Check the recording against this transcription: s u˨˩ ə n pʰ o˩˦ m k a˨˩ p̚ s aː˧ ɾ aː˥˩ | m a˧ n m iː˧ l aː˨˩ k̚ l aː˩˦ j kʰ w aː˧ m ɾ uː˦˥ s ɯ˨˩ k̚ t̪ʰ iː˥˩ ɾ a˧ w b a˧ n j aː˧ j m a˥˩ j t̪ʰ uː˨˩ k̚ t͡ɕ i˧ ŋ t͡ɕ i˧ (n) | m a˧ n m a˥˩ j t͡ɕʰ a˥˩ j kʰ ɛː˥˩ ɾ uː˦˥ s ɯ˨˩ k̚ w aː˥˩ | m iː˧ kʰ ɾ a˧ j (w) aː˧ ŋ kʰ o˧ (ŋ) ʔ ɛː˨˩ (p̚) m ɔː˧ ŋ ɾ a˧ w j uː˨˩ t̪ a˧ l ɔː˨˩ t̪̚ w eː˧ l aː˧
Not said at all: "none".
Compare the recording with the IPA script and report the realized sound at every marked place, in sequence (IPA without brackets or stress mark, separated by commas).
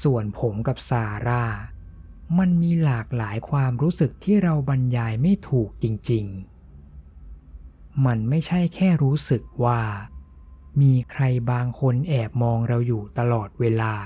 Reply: ŋ, b, n, p̚